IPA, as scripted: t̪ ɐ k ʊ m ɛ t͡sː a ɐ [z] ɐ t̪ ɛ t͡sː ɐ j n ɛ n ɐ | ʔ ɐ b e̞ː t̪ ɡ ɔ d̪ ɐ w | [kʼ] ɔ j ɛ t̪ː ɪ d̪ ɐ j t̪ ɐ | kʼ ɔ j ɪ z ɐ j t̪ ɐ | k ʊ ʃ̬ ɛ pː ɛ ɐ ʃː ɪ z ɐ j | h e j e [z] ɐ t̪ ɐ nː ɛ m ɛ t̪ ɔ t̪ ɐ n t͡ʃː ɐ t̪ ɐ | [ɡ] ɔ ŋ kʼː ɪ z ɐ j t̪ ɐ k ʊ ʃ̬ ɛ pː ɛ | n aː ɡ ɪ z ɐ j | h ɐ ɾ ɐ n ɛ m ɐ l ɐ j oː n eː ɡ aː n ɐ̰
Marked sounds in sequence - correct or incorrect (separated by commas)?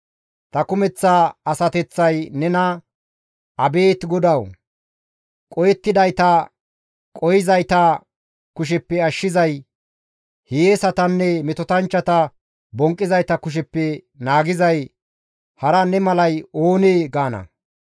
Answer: incorrect, correct, incorrect, incorrect